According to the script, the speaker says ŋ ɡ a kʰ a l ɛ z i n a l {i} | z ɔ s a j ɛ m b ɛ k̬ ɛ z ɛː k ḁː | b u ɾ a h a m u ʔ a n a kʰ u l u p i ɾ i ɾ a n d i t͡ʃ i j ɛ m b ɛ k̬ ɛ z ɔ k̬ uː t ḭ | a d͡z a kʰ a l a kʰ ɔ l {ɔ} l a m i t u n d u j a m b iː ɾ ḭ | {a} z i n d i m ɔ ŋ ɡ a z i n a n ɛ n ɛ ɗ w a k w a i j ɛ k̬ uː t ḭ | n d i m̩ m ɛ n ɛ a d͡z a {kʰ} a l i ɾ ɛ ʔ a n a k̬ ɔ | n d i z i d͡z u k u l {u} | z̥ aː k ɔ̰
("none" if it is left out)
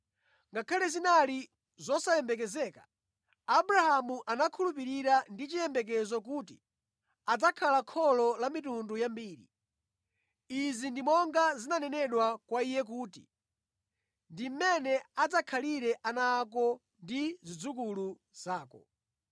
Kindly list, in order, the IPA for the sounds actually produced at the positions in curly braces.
i, ɔ, i, kʰ, u

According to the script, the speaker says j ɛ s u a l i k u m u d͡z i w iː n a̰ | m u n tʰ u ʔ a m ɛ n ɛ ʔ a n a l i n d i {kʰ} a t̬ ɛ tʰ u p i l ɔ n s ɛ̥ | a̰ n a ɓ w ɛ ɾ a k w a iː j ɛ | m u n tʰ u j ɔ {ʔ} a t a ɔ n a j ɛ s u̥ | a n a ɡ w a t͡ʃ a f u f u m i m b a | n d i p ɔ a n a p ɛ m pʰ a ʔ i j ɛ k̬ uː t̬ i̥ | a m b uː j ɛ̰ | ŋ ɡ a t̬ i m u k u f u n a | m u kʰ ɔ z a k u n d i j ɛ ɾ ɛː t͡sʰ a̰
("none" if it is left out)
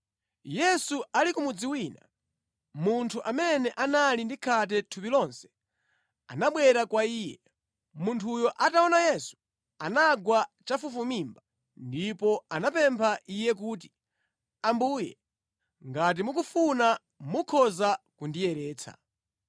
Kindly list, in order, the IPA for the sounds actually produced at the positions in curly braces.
kʰ, ʔ

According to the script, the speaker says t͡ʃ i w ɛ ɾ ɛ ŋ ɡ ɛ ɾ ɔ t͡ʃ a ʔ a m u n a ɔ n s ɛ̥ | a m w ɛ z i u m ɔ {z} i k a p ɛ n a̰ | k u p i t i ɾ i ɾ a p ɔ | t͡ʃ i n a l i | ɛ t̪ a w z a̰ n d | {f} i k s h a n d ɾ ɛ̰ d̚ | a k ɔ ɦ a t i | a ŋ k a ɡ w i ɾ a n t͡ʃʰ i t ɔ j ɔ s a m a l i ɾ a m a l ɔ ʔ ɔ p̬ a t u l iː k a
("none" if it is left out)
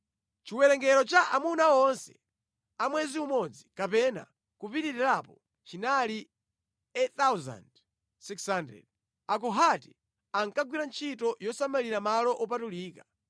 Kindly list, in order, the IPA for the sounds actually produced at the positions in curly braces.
d͡z, s

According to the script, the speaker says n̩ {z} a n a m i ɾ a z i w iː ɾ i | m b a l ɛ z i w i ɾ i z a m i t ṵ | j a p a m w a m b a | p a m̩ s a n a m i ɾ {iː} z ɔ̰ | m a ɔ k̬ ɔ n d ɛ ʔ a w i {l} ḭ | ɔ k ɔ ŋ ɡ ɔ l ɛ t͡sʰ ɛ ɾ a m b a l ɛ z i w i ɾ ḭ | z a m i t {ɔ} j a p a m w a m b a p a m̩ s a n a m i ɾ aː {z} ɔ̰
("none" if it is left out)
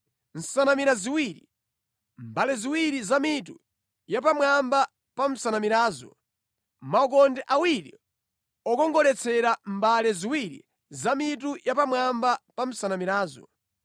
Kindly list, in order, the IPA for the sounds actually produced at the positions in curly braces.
s, aː, ɾ, u, z

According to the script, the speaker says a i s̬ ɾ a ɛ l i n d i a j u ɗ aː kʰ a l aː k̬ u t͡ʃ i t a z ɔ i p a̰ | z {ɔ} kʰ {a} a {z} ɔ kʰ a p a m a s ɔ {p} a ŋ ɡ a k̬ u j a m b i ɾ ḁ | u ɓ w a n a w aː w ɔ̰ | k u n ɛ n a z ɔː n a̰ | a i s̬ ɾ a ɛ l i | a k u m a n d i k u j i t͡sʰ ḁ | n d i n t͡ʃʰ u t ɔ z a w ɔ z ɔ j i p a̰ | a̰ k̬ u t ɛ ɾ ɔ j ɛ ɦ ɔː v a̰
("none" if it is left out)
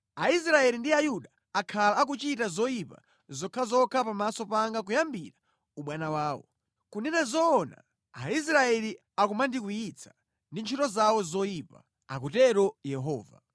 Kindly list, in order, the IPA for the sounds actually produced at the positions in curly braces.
ɔ, a, z, p

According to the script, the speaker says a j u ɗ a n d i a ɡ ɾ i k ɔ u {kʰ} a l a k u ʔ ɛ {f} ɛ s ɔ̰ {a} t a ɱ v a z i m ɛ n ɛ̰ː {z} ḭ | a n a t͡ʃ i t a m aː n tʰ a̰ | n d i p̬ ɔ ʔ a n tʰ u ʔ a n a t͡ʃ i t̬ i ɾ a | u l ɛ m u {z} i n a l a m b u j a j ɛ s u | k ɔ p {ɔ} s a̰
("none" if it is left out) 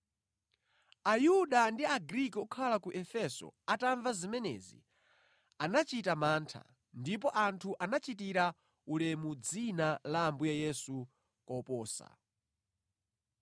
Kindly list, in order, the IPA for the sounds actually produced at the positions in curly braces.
kʰ, f, a, z, d͡z, ɔː

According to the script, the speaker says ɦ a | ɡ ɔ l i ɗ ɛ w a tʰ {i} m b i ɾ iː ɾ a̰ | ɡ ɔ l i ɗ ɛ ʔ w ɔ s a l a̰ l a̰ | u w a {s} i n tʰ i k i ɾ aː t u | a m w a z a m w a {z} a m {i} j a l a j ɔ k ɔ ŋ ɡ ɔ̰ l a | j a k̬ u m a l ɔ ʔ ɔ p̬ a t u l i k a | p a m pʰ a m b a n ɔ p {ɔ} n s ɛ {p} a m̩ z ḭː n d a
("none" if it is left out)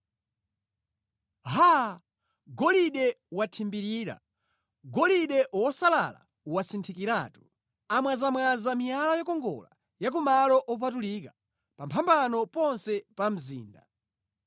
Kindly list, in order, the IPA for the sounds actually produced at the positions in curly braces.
i, s, z, i, ɔ, p

